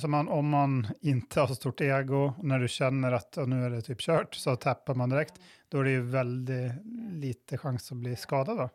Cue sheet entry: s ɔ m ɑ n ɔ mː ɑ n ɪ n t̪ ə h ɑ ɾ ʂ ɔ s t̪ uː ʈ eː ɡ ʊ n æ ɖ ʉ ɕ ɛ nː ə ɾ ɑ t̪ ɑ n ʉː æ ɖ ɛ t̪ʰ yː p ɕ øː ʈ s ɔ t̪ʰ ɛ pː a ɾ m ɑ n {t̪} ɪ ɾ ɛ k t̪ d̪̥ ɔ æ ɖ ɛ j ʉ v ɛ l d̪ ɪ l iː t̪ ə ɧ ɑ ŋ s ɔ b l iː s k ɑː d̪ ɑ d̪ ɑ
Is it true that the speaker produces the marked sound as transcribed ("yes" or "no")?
no